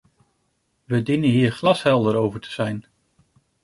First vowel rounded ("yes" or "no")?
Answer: no